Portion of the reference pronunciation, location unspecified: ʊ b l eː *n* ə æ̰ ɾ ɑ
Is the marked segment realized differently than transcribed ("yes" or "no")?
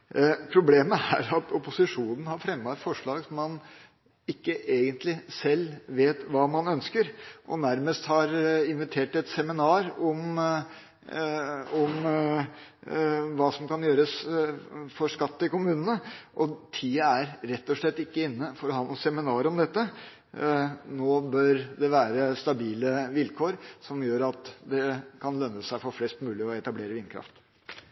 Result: yes